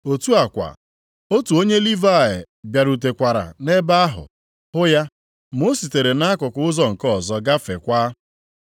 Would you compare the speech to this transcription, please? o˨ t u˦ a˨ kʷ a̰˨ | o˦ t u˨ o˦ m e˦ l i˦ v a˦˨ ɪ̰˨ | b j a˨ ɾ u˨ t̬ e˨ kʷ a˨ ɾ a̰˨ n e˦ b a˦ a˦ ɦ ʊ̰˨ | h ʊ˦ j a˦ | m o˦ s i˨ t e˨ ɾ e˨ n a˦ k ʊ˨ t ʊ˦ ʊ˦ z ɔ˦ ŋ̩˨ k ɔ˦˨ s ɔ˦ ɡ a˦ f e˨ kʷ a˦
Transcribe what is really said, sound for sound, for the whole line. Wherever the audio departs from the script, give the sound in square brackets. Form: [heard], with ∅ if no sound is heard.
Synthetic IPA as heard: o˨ t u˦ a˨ kʷ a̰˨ | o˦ t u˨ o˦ [ɲ] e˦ l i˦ v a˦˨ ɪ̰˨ | b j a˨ ɾ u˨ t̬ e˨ kʷ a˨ ɾ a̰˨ n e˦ b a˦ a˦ ɦ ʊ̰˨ | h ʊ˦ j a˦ | m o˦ s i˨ t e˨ ɾ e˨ n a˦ k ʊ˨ [k] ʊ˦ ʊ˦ z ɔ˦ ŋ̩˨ k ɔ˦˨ [z] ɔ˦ ɡ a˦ f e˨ kʷ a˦

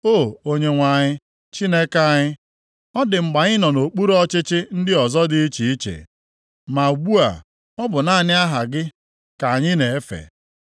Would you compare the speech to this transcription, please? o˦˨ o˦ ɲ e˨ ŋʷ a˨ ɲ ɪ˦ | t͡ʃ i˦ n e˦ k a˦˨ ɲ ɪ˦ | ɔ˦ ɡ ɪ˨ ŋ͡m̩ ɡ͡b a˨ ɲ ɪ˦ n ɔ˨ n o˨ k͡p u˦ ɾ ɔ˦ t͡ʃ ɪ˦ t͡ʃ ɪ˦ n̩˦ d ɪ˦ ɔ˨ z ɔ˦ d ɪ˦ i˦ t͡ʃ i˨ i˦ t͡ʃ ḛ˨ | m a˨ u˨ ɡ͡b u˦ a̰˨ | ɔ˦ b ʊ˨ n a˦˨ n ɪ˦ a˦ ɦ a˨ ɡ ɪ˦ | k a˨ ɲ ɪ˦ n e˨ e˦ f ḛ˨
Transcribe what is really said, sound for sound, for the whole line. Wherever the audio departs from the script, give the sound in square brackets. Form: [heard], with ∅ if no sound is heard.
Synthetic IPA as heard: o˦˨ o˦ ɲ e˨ ŋʷ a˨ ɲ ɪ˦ | t͡ʃ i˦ n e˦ k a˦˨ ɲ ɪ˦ | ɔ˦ [d] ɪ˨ ŋ͡m̩ ɡ͡b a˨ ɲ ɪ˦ n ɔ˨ n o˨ k͡p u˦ ɾ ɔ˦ t͡ʃ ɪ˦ t͡ʃ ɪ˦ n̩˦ d ɪ˦ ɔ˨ z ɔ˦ d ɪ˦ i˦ t͡ʃ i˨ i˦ t͡ʃ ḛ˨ | m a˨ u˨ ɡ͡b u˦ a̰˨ | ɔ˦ b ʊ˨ n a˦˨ n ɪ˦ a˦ ɦ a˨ ɡ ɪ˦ | k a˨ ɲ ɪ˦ n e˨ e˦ f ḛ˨

